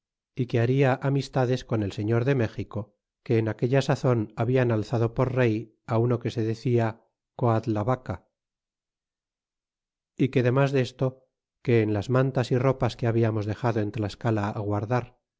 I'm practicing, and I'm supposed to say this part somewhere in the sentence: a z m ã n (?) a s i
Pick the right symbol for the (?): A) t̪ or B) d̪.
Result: A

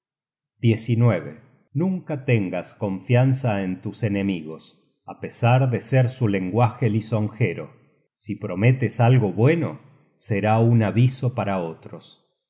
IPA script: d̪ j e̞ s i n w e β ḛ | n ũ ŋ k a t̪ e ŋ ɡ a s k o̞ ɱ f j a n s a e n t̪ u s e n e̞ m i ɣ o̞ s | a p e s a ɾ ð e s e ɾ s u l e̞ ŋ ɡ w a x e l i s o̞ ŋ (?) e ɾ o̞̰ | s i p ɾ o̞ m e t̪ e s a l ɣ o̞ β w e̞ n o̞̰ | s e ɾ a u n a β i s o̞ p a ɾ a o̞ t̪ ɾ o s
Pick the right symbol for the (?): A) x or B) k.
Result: A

